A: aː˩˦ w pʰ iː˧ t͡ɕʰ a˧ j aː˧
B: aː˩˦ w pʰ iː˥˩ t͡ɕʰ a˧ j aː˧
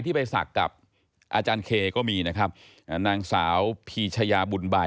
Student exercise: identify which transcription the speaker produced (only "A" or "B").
A